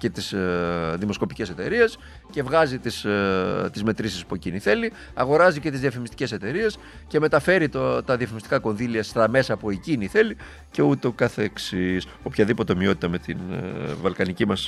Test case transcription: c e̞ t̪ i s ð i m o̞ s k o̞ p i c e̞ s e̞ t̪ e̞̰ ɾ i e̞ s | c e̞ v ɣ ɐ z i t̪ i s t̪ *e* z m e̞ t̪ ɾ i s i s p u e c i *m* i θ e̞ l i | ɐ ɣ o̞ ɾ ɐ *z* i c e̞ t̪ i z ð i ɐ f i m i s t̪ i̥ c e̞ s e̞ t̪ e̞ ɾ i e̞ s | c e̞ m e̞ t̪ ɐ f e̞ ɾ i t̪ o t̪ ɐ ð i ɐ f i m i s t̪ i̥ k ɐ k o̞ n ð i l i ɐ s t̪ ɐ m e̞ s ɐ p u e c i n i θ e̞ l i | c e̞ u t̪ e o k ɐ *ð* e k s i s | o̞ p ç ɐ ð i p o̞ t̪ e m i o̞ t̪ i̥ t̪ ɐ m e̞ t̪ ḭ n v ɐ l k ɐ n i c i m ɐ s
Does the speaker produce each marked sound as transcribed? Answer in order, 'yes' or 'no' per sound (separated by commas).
no, no, yes, no